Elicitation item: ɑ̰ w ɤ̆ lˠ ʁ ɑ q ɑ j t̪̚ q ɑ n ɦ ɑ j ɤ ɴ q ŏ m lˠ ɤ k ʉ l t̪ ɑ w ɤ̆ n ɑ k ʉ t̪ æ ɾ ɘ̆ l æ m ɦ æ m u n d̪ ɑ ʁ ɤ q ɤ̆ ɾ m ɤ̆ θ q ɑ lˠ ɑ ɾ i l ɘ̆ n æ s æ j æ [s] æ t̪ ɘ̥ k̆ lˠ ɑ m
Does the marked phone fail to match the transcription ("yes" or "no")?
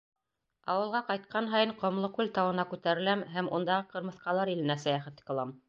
yes